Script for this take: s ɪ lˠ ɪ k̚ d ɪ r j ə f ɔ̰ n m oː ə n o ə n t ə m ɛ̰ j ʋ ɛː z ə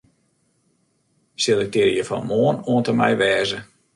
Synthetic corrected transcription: s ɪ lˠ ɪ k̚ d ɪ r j ə f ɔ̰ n m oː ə n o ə n t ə m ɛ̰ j ʋ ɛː z ə